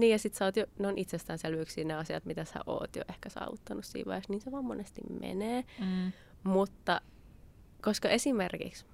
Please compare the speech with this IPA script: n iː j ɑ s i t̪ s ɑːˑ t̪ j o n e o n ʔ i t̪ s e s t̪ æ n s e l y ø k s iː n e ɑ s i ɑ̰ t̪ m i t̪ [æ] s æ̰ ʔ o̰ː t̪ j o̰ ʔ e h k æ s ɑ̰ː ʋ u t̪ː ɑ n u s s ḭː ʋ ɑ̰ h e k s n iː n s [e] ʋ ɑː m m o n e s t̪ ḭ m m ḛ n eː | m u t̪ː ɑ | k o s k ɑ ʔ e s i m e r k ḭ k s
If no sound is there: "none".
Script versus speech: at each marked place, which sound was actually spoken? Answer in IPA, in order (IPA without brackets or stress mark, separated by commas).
æ, e